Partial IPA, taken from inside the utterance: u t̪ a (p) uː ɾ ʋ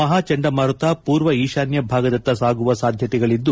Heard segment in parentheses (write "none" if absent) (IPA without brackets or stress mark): p